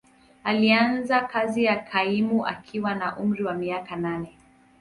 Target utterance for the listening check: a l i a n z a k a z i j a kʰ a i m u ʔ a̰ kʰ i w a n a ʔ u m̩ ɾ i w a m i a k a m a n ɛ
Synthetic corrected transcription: a l i a n z a k a z i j a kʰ a i m u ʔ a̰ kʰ i w a n a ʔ u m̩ ɾ i w a m i a k a n a n ɛ